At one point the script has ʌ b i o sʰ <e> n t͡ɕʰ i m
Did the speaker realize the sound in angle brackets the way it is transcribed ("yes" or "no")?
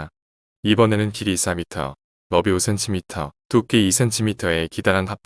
yes